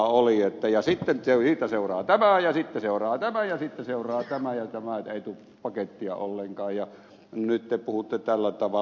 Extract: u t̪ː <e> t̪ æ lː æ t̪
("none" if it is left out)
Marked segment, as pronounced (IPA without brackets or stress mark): e